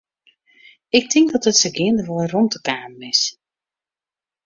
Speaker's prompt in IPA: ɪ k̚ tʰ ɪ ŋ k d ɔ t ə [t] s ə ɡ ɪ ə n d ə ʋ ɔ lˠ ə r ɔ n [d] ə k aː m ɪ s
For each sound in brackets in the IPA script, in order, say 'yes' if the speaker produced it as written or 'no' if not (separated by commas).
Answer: yes, no